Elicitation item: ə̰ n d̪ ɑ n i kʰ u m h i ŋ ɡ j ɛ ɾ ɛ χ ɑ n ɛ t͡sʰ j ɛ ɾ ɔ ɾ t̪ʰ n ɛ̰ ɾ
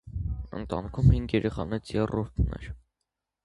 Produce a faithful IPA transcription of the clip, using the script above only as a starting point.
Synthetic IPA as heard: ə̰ n t̪ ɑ n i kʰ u m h i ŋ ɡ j ɛ ɾ ɛ χ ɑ n ɛ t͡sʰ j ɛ r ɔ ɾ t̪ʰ n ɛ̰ ɾ